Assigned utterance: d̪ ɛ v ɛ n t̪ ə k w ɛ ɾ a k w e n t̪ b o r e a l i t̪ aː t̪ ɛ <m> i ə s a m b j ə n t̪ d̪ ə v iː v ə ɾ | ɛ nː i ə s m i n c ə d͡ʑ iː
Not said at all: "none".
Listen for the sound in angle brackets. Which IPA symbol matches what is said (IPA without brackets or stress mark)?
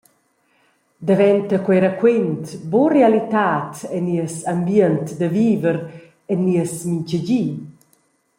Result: n